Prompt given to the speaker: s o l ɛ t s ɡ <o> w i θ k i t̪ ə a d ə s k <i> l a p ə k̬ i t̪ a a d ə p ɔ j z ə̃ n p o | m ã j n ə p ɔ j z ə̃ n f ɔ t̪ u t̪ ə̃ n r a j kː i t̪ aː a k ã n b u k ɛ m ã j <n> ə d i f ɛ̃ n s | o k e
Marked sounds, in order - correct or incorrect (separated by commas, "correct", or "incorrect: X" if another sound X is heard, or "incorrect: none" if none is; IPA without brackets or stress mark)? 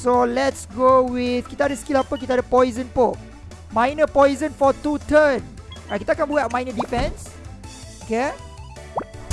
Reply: correct, correct, correct